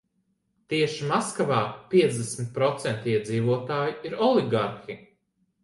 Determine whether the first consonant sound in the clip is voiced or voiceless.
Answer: voiceless